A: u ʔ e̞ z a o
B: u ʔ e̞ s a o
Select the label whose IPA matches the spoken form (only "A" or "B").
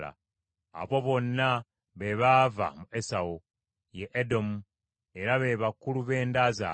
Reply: B